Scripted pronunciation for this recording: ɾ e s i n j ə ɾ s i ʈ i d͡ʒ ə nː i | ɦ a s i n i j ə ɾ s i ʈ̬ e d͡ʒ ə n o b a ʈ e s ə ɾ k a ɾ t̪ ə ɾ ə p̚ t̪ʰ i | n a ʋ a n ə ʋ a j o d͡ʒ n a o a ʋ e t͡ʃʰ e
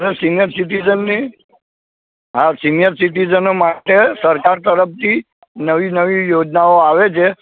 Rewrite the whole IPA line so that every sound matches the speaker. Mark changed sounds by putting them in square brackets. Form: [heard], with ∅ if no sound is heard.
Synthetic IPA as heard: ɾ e s i n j ə ɾ s i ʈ i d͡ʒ ə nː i | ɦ a s i n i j ə ɾ s i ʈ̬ [i] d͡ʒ ə n o [m] a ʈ e s ə ɾ k a ɾ t̪ ə ɾ ə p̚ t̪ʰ i | n [ə] ʋ [i] n ə ʋ [i] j o d͡ʒ n a o a ʋ e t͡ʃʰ e

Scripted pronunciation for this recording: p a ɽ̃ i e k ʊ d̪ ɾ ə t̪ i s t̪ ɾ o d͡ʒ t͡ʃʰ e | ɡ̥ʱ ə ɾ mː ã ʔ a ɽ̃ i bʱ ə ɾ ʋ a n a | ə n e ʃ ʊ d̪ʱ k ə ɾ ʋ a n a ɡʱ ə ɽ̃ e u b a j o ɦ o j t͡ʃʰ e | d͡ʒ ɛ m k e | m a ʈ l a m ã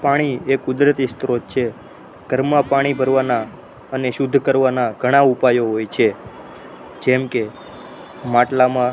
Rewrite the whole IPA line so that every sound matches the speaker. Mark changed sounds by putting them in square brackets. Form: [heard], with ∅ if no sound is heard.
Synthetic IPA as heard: p a ɽ̃ i e k ʊ d̪ ɾ ə t̪ i s t̪ ɾ o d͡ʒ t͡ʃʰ e | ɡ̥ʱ ə ɾ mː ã [p] a ɽ̃ i bʱ ə ɾ ʋ a n a | ə n e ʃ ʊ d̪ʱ k ə ɾ ʋ a n a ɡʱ ə ɽ̃ [a] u [p] a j o ɦ o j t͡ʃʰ e | d͡ʒ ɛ m k e | m a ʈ l a m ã

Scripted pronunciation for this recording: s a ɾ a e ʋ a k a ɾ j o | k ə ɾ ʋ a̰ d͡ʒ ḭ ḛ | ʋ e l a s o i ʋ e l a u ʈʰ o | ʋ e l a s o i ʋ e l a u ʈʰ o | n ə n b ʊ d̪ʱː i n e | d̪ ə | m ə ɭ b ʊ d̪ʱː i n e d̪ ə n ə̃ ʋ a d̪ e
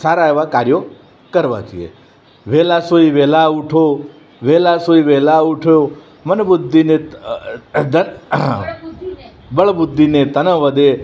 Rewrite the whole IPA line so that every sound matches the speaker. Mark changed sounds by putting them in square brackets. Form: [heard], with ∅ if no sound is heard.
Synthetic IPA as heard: s a ɾ a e ʋ a k a ɾ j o | k ə ɾ ʋ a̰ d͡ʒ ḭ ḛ | ʋ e l a s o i ʋ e l a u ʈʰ o | ʋ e l a s o i ʋ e l a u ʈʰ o | [m] ə n b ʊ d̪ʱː i n e | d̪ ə | [b] ə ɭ b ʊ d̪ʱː i n e [t̪] ə n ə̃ ʋ [ə] d̪ e

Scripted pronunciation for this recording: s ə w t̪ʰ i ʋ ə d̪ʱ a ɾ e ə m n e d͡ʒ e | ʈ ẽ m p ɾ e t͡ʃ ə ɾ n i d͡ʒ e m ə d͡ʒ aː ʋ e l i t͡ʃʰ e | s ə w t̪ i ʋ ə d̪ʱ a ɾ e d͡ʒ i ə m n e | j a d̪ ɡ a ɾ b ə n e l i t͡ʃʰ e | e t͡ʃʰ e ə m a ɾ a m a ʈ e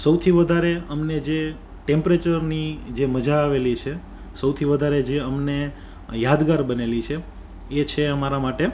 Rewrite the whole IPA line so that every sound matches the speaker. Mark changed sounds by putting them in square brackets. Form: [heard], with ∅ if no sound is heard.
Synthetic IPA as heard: s ə w t̪ʰ i ʋ ə d̪ʱ a ɾ e ə m n e d͡ʒ e | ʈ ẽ m p ɾ e t͡ʃ ə ɾ n i d͡ʒ e m ə d͡ʒ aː ʋ e l i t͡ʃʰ e | s ə w [t̪ʰ] i ʋ ə d̪ʱ a ɾ e d͡ʒ [e] ə m n e | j a d̪ ɡ a ɾ b ə n e l i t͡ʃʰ e | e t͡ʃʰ e ə m a ɾ a m a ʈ e

